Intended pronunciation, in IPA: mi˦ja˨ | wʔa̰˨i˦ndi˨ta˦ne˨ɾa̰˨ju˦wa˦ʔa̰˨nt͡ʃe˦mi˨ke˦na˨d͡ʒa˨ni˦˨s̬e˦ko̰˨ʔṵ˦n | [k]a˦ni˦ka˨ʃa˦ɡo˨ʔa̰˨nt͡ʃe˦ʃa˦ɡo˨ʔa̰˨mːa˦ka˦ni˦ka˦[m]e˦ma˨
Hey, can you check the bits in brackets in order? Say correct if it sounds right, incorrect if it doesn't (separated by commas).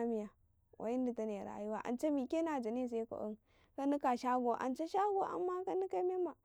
correct, correct